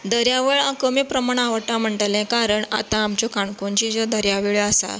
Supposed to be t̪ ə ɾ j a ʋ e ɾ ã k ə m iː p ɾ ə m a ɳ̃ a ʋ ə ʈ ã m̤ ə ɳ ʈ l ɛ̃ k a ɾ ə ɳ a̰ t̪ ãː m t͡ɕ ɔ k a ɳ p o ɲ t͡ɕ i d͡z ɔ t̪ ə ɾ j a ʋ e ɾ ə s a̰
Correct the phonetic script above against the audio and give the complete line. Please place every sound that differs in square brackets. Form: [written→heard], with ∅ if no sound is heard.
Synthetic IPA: [t̪→d̪] ə ɾ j a ʋ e [ɾ→ɭ] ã k ə m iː p ɾ ə m a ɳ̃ a ʋ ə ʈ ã m̤ ə ɳ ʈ l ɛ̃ k a ɾ ə ɳ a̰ t̪ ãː m t͡ɕ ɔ k a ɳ [p→k] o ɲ t͡ɕ i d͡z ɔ [t̪→d̪] ə ɾ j a ʋ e [ɾ→ɭ] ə s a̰